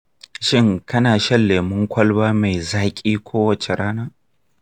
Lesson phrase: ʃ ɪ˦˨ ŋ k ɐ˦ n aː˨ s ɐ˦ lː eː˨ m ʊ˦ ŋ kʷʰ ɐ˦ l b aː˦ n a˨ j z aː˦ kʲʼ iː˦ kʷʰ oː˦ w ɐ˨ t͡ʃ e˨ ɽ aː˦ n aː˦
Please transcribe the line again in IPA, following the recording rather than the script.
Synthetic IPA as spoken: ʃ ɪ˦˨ ŋ k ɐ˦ n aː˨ ʃ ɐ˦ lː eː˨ m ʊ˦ ŋ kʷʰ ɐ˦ l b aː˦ m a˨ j z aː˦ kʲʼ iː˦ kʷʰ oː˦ w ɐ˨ t͡ʃ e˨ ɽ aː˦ n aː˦

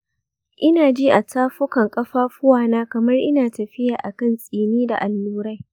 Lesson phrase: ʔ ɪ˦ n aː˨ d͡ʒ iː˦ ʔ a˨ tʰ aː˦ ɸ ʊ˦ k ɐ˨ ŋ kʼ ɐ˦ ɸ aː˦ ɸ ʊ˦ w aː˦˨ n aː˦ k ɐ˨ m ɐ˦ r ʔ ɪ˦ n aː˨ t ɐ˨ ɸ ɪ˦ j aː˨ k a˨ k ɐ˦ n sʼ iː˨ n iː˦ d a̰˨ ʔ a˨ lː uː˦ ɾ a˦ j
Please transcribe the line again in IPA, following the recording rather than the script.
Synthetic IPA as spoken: ʔ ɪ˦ n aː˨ d͡ʒ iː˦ ʔ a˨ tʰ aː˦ ɸ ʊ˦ k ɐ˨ ŋ kʼ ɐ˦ ɸ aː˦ ɸ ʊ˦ w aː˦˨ n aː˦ k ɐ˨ m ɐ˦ r ʔ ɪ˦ n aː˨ t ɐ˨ ɸ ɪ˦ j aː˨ ʔ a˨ k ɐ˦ n sʼ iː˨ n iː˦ d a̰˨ ʔ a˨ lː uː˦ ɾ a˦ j

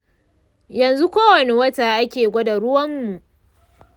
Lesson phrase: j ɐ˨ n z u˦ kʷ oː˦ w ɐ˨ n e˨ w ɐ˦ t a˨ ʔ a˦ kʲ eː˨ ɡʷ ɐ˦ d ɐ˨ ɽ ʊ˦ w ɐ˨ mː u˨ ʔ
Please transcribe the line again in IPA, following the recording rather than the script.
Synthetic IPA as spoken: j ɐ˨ n z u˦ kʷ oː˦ w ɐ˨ n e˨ w ɐ˦ t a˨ ʔ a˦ kʲ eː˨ ɡʷ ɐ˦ d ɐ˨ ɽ ʊ˦ w ɐ˦ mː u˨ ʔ

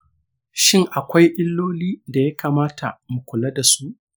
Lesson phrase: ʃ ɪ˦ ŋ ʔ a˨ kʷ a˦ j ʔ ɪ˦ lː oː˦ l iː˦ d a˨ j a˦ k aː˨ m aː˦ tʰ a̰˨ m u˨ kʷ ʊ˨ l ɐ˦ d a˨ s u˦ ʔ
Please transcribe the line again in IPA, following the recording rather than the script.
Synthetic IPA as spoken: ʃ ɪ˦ ŋ ʔ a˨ kʷ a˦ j ʔ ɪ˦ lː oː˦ l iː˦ d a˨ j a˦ k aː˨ m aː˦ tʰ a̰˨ m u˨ kʷ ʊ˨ l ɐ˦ d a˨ s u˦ ʔ

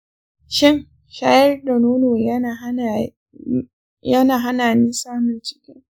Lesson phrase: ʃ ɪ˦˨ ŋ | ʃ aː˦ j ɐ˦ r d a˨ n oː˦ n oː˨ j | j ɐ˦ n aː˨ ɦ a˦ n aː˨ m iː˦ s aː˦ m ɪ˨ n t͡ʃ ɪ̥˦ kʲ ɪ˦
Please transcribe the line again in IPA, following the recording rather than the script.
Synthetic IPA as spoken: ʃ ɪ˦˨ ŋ | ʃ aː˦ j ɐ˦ r d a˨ n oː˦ n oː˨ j | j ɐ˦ n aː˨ ɦ a˦ n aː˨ n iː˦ s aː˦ m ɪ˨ n t͡ʃ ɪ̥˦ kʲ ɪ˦

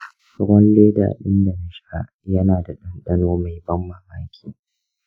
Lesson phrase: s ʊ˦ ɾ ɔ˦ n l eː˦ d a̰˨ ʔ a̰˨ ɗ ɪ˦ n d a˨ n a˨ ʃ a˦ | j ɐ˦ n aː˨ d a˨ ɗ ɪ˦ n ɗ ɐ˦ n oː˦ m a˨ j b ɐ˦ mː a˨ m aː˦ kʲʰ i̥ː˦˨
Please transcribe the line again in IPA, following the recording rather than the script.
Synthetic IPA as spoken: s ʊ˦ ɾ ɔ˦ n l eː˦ d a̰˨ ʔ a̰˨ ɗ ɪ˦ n d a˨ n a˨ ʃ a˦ | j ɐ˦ n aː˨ d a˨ ɗ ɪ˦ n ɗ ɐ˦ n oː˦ m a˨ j b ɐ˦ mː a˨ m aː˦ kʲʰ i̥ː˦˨

